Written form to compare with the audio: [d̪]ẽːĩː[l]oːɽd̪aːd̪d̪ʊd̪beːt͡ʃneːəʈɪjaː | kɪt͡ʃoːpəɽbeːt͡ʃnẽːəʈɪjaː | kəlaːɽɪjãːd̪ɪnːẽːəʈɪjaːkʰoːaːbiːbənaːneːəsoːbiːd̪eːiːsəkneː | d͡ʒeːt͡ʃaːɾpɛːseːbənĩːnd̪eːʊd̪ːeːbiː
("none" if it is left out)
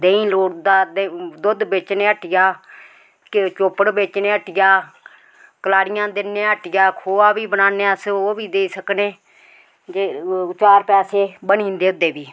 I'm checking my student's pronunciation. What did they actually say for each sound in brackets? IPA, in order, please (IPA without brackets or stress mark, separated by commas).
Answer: d̪, l